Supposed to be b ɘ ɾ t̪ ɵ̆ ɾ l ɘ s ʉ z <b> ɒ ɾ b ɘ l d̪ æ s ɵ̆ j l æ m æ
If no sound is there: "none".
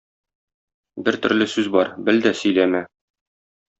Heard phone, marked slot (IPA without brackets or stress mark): b